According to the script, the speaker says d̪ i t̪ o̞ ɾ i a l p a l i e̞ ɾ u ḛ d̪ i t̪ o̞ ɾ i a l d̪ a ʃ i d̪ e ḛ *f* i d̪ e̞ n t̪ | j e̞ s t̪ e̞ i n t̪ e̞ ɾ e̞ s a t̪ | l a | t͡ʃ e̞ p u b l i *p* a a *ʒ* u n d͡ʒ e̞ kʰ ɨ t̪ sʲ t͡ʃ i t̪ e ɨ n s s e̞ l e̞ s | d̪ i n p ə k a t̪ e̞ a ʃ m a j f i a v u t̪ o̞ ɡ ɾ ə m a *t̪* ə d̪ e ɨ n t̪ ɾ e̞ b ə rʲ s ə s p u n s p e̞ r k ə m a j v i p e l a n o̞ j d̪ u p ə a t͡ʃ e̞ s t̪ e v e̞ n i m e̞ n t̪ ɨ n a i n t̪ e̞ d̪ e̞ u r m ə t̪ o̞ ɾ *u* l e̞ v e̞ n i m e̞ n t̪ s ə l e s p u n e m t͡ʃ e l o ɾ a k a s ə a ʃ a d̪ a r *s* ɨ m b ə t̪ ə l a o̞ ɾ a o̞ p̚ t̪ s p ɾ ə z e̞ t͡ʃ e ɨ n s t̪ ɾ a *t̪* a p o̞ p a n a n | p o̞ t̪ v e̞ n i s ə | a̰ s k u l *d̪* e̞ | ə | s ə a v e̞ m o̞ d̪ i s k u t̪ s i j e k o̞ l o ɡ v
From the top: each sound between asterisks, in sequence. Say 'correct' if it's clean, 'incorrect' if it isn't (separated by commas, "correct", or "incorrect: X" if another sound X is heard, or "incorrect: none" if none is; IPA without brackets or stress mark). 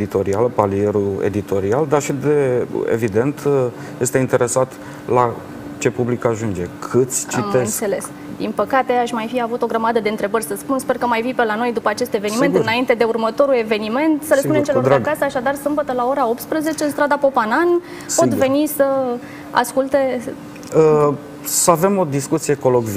incorrect: v, incorrect: k, correct, incorrect: d̪, correct, correct, incorrect: d̪, incorrect: t̪